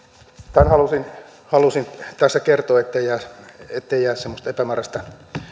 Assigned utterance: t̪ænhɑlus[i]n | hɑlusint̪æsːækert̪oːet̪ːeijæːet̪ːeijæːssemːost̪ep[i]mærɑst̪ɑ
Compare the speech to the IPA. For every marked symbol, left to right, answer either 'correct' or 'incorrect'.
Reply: correct, incorrect

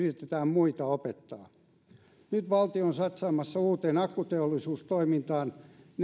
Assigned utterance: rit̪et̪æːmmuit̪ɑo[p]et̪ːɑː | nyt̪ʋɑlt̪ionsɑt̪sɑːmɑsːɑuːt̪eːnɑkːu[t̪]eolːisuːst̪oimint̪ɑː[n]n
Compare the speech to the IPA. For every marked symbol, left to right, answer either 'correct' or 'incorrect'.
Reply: correct, correct, correct

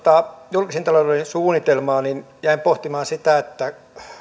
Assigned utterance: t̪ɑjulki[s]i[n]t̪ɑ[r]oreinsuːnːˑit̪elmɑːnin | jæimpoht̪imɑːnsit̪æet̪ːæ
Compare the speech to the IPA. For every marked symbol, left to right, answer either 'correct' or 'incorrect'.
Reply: correct, correct, incorrect

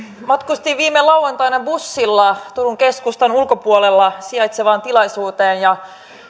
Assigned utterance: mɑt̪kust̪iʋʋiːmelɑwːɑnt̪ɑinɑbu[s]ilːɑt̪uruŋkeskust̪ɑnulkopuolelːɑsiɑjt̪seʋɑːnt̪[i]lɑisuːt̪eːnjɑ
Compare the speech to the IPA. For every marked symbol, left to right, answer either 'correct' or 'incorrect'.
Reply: incorrect, correct

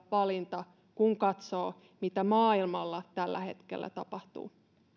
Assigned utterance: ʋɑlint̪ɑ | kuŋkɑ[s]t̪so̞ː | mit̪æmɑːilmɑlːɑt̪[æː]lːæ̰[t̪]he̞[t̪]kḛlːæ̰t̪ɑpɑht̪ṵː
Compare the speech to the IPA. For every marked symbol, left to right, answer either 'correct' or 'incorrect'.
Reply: incorrect, incorrect, incorrect, correct

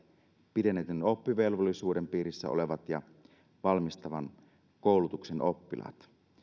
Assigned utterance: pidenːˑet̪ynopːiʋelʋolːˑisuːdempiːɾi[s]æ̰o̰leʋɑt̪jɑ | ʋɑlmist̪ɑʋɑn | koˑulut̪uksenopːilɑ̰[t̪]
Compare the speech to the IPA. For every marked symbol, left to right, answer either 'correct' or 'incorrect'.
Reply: incorrect, correct

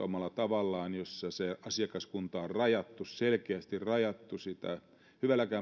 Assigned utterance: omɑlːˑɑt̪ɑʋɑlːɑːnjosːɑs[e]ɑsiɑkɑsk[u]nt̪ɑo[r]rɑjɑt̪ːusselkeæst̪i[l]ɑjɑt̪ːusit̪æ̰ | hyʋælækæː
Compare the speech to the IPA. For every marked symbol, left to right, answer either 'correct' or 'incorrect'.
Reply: correct, correct, correct, incorrect

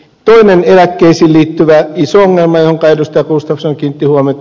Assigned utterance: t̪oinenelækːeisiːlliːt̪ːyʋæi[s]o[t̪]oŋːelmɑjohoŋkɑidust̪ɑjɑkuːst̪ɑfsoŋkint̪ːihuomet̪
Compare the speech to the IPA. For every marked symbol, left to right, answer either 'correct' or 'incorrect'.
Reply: correct, incorrect

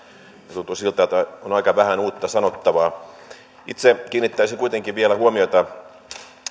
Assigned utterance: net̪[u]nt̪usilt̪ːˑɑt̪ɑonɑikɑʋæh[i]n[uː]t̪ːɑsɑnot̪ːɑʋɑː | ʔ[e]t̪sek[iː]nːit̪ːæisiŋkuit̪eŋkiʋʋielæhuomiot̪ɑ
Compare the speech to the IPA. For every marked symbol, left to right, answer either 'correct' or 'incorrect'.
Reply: correct, incorrect, correct, incorrect, correct

